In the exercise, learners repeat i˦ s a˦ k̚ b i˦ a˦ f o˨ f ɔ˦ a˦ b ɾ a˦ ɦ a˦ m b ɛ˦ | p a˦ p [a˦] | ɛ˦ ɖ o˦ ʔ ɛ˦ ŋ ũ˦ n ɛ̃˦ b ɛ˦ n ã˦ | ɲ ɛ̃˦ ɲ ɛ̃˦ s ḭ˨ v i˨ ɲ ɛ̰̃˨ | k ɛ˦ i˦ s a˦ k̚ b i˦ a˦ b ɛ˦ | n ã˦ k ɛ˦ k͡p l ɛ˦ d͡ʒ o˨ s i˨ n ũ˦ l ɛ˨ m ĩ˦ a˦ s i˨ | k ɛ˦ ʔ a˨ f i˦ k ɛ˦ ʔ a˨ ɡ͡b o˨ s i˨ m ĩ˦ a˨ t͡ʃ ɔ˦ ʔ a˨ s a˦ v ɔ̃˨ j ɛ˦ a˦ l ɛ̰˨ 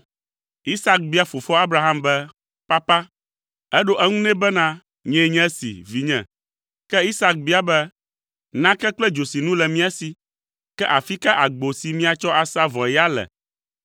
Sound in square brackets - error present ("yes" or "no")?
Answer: no